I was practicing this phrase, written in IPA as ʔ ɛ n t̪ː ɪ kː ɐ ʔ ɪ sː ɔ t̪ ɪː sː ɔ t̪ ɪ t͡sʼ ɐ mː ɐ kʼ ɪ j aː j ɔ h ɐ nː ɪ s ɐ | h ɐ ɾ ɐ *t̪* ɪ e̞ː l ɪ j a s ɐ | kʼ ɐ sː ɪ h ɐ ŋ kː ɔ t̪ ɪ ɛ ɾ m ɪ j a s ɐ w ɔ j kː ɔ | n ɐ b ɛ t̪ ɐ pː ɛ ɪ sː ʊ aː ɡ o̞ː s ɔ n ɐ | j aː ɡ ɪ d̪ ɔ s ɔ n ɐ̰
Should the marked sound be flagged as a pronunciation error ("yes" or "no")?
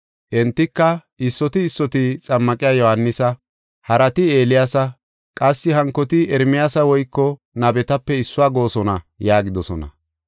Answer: no